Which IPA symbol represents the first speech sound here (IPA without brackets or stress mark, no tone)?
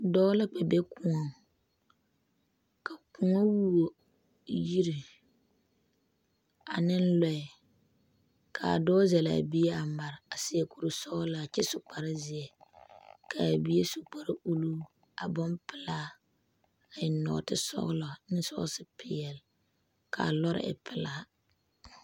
d